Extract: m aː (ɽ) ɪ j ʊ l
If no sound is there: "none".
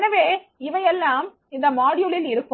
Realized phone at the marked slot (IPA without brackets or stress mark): ɽ